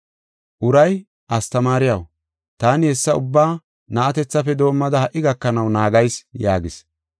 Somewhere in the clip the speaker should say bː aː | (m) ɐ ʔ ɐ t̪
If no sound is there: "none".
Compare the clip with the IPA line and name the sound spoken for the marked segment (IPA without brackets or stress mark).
n